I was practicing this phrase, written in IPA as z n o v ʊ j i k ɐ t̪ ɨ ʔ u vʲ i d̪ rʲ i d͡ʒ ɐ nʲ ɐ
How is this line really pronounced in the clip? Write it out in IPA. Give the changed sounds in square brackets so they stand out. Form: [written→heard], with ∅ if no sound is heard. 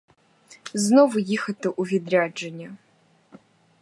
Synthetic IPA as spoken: z n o v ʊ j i [k→x] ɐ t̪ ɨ ʔ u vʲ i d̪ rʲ [i→a] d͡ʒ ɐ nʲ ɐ